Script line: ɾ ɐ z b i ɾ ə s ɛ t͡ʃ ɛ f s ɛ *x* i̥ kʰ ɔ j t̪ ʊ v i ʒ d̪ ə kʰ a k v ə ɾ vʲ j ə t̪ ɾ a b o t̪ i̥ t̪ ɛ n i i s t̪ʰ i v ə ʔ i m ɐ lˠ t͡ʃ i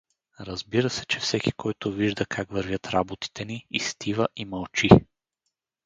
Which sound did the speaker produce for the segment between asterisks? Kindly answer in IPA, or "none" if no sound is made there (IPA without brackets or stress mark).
k